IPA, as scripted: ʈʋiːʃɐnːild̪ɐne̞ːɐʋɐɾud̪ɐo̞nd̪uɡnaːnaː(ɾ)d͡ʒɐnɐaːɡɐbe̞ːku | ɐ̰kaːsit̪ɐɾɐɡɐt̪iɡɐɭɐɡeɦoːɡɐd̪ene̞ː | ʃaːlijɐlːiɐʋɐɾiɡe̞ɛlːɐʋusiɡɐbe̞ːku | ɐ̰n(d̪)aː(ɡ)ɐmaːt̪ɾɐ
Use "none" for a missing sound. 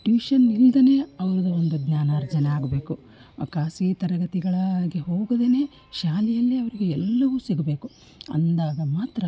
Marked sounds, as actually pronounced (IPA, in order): ɾ, d̪, ɡ

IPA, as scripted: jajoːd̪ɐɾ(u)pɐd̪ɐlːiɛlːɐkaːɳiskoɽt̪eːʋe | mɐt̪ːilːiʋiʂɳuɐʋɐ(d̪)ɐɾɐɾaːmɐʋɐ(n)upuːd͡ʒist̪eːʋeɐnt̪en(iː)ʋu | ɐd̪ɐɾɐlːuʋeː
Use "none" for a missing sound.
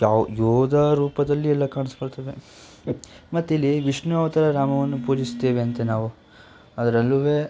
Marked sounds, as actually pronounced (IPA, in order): uː, t̪, nː, aː

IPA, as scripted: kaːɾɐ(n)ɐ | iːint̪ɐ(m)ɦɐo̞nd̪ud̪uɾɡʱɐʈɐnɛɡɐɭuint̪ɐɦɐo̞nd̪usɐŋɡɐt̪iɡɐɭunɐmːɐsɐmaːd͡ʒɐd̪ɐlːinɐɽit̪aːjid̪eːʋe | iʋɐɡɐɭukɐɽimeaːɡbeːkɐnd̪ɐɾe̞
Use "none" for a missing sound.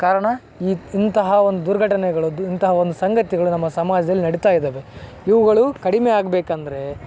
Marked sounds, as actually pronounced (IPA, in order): ɳ, none

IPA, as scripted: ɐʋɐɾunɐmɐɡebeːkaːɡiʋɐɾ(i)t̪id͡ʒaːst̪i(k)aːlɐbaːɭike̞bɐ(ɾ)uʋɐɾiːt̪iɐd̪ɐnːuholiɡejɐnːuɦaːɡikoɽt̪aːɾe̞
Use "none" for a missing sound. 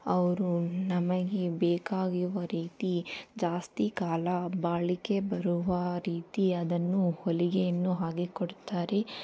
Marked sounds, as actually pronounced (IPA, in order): iː, k, ɾ

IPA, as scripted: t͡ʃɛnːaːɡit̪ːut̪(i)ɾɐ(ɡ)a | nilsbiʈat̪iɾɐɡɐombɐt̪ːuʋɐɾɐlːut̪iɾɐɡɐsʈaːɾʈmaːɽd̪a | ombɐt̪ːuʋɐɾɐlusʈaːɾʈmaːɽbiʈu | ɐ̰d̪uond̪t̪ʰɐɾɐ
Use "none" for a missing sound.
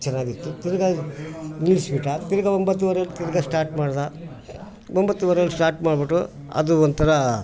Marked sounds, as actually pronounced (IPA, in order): i, ɡ

